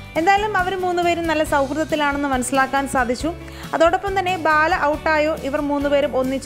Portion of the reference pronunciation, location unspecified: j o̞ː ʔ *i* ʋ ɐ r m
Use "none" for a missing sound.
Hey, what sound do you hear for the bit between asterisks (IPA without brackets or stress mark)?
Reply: i